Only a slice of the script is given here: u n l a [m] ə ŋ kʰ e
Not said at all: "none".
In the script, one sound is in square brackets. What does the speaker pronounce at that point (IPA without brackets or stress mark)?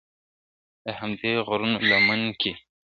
m